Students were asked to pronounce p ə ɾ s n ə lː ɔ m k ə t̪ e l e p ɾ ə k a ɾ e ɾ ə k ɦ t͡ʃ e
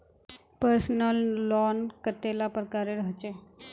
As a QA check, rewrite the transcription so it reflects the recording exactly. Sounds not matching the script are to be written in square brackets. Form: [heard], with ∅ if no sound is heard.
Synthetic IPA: p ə ɾ s n ə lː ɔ [n] k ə t̪ e l [a] p ɾ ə k a ɾ e ɾ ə [∅] ɦ t͡ʃ e